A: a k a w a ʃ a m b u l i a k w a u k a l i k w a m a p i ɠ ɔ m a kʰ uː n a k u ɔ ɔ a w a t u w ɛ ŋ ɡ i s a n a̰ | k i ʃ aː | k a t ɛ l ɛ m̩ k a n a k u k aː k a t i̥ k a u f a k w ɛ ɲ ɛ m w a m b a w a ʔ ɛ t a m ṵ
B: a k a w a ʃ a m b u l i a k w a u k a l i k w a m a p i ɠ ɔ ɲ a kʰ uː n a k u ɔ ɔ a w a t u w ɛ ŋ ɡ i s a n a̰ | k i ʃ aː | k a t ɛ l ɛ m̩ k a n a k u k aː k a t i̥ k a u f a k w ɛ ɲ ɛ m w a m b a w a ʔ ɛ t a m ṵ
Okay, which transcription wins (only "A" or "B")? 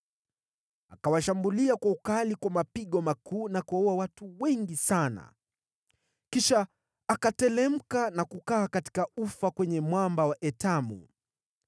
A